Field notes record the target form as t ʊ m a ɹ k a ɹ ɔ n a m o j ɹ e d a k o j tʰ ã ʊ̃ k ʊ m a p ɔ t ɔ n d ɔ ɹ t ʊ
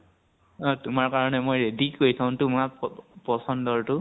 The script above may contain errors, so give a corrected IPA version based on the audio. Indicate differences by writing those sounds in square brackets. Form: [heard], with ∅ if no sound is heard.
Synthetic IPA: t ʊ m a ɹ k a ɹ ɔ n [ɛ] m o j ɹ e d [i] k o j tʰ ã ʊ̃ [t] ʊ m a p ɔ [s] ɔ n d ɔ ɹ t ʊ